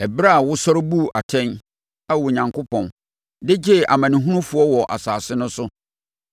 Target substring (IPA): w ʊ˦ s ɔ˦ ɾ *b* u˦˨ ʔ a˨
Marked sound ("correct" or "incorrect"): correct